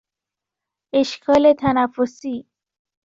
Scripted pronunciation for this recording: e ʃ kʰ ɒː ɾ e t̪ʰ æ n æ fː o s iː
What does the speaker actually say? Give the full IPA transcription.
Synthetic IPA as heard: e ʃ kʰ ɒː l e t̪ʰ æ n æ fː o s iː